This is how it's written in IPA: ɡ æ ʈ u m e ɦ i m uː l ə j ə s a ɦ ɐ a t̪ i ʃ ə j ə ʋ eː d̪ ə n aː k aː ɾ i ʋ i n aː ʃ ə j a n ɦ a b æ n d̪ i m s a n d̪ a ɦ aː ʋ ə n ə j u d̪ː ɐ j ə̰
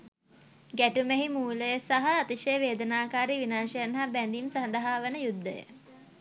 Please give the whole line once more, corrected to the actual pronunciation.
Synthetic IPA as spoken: ɡ æ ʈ u m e ɦ i m uː l ə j ə s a ɦ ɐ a t̪ i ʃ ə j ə ʋ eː d̪ ə n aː k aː ɾ i ʋ i n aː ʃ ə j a n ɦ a b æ n d̪ i m s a n d̪ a ɦ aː ʋ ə n ə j u d̪ː ə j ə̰